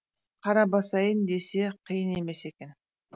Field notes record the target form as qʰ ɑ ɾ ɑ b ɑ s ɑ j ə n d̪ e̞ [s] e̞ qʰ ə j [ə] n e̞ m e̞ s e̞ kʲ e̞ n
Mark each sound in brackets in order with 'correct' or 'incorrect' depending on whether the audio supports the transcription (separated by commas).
correct, correct